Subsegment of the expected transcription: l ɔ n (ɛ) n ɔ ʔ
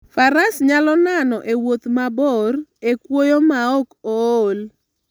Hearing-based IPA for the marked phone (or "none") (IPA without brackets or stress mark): a